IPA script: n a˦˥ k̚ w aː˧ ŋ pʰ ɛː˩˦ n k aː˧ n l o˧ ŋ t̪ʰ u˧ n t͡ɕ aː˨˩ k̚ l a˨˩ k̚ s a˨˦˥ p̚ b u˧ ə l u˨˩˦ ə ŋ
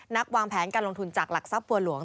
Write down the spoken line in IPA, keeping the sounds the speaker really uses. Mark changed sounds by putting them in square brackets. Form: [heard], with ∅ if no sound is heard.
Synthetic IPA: n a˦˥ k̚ w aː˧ ŋ pʰ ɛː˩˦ n k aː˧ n l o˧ ŋ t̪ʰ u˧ n t͡ɕ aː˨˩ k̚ l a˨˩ k̚ s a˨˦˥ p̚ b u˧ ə l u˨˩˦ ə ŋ